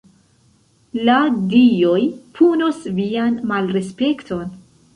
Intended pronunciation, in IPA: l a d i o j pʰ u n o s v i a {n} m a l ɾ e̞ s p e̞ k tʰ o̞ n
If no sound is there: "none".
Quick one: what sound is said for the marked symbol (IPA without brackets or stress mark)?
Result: n